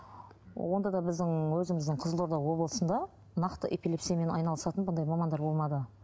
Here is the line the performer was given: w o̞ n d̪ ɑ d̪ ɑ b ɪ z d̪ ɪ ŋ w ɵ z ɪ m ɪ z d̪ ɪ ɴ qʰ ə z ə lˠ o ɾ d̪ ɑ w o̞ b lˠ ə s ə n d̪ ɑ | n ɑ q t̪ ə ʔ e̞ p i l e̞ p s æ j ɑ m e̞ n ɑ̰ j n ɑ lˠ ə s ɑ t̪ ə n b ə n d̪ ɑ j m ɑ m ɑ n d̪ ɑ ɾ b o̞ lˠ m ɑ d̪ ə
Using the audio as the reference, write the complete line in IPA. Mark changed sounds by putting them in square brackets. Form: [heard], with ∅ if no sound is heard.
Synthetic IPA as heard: w o̞ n d̪ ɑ d̪ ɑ b ɪ z d̪ ɪ ŋ w ɵ z ɪ m ɪ z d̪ ɪ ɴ qʰ ə z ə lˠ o ɾ d̪ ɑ w o̞ b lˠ ə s ə n d̪ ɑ | n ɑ q t̪ ə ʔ e̞ p i l e̞ p s [i] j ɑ m e̞ n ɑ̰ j n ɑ lˠ ə s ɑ t̪ ə n b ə n d̪ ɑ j m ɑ m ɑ n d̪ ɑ ɾ b o̞ lˠ m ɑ d̪ ə